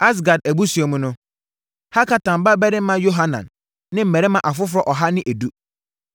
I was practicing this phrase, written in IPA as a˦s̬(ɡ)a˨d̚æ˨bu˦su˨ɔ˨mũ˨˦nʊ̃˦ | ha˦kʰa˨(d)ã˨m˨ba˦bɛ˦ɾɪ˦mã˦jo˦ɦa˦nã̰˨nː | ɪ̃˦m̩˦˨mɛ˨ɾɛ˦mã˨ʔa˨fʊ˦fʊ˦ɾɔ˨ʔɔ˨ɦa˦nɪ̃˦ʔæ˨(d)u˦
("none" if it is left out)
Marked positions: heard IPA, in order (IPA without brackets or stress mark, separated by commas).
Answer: ɡ, t, d